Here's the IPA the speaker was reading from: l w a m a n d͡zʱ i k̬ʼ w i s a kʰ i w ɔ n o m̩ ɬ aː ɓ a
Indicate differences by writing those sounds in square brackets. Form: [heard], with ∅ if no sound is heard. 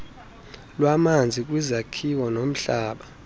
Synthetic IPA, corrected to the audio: l w a m a n d͡zʱ i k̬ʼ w i [z] a kʰ i w ɔ n o m̩ ɬ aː ɓ a